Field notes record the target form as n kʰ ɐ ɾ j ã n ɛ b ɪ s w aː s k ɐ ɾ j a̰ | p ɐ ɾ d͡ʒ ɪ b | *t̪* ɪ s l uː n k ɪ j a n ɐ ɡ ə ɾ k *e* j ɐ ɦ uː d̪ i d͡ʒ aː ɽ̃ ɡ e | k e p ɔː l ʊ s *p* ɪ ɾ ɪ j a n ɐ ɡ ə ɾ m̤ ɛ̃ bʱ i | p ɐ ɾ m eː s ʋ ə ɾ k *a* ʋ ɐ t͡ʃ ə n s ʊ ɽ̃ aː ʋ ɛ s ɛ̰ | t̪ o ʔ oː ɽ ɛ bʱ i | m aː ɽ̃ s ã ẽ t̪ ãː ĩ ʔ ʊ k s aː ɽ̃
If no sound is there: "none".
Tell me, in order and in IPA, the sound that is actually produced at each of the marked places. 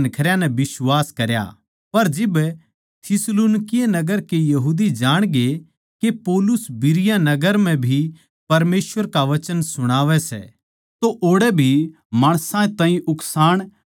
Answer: t̪ʰ, e, b, a

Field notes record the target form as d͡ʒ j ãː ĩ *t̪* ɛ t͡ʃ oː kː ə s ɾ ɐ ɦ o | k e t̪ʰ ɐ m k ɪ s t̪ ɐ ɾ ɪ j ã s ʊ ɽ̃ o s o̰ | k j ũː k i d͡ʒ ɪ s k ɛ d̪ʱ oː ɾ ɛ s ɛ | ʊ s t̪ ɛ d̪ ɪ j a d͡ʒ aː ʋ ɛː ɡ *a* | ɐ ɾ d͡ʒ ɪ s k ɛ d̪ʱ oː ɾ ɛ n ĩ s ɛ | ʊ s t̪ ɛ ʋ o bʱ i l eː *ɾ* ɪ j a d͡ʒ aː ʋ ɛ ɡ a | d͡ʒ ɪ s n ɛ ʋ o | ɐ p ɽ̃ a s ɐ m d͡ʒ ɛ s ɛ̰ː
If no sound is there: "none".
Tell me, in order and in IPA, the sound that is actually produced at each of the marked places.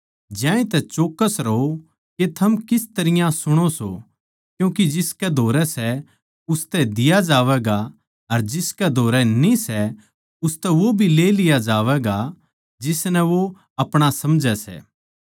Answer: t̪, a, l

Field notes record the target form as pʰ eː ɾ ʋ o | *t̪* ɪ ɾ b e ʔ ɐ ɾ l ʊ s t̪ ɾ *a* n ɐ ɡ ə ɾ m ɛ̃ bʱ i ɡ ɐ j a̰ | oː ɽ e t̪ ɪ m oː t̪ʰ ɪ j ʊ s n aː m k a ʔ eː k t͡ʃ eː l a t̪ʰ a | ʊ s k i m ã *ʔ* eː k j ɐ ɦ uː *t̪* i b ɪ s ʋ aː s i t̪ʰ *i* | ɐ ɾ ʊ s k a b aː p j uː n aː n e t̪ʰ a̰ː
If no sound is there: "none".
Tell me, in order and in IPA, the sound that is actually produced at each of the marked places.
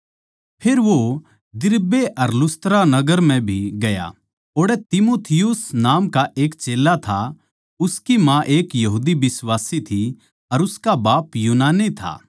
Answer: d̪, a, ʔ, d̪, i

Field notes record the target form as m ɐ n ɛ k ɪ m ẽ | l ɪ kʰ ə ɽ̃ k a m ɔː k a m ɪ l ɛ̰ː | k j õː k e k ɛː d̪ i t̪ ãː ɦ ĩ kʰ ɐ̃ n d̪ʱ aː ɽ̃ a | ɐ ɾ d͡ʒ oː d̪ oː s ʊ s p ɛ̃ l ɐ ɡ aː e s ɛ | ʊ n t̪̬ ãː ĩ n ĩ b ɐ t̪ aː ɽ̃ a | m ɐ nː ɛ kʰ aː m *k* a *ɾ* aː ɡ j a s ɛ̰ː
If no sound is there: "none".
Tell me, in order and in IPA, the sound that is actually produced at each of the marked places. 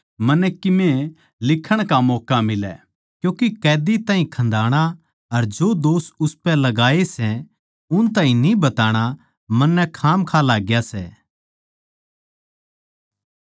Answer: kʰ, l

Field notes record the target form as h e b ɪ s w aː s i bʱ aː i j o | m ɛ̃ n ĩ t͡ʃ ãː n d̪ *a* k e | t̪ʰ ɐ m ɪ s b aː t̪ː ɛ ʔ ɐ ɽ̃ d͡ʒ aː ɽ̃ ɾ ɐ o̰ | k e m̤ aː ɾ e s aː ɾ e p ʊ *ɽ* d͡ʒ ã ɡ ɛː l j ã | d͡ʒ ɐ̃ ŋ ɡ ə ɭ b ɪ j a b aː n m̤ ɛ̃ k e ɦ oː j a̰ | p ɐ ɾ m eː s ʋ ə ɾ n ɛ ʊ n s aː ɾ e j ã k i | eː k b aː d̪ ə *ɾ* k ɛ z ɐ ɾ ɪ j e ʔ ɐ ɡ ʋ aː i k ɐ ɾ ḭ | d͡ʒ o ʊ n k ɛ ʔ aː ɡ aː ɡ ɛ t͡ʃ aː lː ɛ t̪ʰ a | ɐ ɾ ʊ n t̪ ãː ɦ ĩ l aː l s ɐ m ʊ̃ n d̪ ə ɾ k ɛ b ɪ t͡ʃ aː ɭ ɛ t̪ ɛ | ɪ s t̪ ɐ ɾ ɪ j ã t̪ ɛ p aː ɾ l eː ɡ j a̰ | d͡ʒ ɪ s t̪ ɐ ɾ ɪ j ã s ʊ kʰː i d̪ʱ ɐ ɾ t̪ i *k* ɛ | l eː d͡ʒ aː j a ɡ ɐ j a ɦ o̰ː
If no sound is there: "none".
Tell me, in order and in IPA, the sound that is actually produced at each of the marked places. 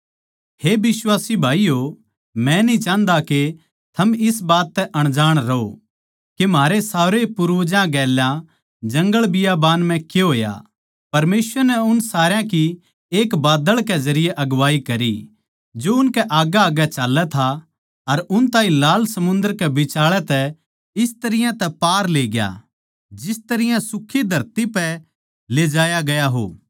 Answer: a, ɾ, ɭ, p

